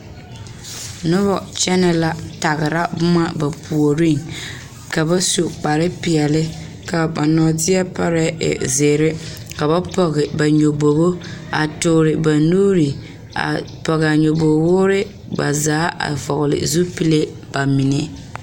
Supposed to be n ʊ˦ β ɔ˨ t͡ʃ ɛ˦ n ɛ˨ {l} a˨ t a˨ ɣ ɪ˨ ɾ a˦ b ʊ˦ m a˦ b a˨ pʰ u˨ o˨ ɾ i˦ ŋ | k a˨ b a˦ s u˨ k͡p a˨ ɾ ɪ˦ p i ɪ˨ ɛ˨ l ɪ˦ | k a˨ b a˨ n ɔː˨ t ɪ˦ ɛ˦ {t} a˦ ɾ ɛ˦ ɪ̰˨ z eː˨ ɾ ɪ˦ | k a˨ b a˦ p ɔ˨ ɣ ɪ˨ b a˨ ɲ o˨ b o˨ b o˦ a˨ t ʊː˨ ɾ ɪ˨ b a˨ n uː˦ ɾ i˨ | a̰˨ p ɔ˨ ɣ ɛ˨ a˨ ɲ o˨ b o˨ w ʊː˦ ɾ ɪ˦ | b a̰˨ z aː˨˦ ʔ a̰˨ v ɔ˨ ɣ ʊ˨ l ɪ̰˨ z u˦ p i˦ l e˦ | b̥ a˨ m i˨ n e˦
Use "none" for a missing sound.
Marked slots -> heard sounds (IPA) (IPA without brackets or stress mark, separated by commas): l, p